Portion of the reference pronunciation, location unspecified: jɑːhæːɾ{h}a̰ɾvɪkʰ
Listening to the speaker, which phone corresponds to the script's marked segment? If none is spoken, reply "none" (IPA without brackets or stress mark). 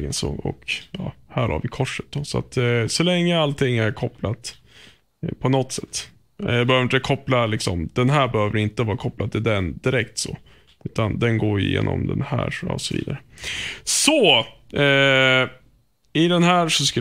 h